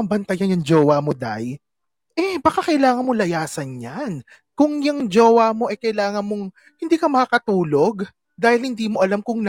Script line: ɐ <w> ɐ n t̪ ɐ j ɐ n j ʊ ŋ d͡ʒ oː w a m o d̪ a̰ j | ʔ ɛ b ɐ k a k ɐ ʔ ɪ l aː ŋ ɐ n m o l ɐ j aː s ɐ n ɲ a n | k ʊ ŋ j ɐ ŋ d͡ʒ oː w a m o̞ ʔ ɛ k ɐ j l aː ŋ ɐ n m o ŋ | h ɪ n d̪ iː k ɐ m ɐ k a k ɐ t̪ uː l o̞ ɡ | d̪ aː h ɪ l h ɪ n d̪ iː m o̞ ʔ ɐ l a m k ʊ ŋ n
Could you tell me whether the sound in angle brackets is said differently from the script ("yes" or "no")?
yes